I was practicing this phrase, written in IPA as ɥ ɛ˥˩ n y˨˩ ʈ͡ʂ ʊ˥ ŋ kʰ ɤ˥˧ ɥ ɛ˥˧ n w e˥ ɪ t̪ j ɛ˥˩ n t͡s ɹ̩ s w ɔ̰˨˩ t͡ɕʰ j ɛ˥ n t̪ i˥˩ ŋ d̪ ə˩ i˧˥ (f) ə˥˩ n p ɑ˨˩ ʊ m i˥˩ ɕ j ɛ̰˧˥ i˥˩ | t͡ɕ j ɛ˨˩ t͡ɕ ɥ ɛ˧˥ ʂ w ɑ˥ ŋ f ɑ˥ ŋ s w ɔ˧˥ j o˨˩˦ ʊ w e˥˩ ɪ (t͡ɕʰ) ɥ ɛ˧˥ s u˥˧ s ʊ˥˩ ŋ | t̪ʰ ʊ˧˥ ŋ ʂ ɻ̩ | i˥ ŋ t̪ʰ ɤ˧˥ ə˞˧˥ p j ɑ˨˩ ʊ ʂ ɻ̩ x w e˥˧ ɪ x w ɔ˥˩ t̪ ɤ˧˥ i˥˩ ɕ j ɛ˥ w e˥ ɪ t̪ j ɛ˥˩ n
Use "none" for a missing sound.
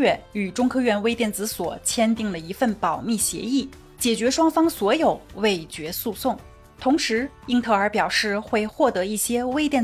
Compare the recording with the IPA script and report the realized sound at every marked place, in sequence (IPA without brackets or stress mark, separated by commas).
f, t͡ɕ